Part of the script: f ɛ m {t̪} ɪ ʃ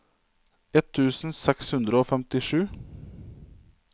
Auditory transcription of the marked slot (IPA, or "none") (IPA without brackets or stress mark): t̪